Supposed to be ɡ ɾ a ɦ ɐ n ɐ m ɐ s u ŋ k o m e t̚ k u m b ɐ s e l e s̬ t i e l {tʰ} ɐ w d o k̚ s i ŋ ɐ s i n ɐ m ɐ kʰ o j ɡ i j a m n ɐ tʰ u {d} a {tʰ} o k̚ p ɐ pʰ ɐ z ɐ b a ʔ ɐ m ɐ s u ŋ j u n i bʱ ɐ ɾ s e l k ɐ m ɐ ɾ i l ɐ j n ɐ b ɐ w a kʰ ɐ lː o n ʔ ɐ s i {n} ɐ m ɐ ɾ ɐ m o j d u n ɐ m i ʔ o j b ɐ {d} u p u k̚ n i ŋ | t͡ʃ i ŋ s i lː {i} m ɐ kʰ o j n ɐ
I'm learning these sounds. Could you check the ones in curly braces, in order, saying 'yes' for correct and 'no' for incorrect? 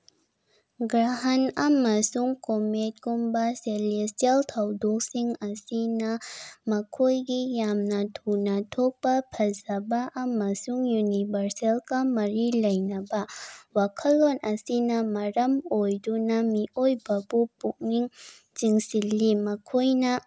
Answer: yes, no, yes, yes, no, yes

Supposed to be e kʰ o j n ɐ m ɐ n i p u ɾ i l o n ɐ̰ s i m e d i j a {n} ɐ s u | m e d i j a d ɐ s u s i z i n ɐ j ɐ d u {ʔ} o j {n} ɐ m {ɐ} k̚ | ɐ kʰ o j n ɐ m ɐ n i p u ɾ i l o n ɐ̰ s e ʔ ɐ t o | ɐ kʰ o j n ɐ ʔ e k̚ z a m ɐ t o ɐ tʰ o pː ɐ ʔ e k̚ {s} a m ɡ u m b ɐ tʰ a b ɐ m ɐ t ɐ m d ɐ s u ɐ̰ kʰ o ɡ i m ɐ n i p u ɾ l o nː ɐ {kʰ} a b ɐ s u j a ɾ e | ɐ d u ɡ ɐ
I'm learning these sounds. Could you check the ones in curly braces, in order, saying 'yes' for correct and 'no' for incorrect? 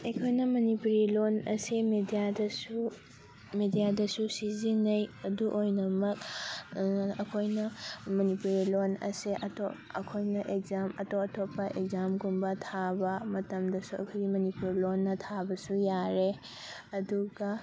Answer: no, yes, yes, yes, no, no

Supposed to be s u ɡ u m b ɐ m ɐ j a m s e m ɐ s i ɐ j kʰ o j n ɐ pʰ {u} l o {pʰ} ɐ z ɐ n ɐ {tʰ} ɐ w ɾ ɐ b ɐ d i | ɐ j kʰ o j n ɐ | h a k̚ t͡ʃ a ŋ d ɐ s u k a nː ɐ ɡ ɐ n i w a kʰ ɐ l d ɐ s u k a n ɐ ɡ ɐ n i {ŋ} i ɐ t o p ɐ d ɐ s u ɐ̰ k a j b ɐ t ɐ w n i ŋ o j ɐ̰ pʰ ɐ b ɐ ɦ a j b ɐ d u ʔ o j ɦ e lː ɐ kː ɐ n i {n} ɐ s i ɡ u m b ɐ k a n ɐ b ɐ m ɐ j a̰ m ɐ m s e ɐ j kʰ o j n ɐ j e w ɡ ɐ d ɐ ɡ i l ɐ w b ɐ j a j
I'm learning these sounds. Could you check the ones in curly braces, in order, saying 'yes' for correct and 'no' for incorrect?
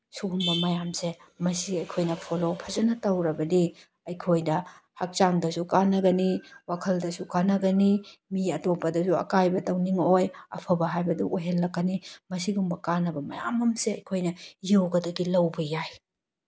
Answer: no, yes, no, no, no

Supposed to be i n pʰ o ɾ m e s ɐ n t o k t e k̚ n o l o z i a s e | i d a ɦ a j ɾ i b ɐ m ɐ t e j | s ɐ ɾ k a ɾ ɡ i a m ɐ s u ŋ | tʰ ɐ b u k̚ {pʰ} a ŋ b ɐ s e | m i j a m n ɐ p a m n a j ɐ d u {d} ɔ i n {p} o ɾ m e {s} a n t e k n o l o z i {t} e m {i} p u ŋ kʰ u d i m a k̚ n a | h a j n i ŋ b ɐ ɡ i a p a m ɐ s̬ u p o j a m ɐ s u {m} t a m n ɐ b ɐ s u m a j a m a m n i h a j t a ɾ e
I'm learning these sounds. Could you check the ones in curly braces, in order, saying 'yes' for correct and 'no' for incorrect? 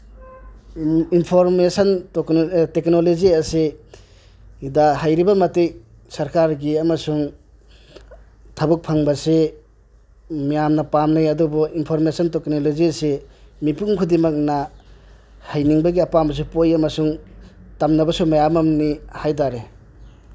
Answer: yes, no, no, yes, no, yes, no

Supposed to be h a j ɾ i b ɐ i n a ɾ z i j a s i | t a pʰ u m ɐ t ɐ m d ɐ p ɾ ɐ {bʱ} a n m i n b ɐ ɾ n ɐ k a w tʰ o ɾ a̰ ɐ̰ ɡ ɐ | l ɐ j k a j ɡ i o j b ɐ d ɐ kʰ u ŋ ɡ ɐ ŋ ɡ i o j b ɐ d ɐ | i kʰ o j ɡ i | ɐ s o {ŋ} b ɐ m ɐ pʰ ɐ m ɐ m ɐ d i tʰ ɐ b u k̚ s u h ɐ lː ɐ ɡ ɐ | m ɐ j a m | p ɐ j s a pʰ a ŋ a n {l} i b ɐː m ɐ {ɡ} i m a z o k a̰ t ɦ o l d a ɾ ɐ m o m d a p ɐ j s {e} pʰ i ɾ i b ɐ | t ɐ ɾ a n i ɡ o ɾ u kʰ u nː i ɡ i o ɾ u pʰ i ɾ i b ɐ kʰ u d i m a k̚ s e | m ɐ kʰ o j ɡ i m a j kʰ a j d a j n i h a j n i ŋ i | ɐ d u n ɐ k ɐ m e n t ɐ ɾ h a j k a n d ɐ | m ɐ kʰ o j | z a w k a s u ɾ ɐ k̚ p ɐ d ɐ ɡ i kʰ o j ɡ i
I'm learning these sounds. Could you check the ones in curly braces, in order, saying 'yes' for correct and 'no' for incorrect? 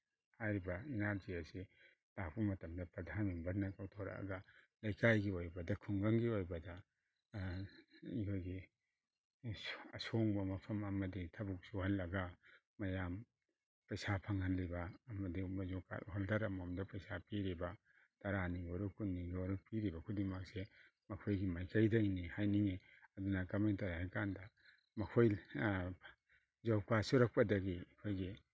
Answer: no, yes, yes, no, no

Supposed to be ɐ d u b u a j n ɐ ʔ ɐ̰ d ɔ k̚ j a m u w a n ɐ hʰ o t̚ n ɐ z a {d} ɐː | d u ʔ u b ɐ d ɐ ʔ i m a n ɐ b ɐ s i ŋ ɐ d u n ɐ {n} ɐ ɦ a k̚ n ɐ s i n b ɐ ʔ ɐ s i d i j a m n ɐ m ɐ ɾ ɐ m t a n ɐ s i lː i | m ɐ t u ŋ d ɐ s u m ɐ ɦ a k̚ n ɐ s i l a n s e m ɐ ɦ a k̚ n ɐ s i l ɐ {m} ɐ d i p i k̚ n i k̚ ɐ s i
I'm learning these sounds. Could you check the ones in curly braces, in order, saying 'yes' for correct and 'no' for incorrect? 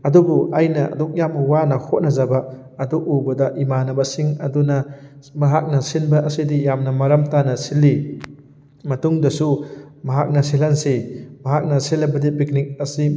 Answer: no, no, no

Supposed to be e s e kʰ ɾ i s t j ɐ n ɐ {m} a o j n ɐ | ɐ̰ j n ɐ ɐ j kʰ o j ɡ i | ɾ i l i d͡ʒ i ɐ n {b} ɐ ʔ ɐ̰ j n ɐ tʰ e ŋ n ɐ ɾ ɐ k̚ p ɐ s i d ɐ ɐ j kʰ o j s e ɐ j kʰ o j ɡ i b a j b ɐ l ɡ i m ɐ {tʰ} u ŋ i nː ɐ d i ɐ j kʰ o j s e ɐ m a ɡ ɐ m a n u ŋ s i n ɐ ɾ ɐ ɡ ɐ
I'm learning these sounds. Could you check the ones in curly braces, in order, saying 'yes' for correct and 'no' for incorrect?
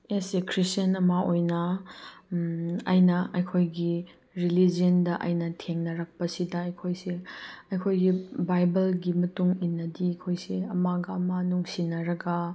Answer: yes, no, no

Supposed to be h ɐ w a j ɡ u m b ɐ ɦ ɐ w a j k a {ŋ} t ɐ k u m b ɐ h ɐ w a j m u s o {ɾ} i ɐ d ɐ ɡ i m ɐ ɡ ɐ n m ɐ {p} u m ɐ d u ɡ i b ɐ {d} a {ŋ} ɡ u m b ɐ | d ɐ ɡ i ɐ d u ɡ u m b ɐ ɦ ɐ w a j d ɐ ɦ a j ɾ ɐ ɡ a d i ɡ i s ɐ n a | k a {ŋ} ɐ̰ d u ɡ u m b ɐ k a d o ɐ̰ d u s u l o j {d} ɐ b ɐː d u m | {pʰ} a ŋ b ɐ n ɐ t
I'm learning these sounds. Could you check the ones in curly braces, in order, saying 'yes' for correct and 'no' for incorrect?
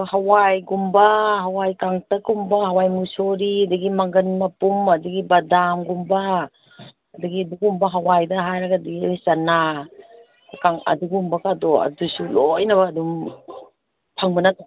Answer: yes, yes, yes, yes, no, yes, no, yes

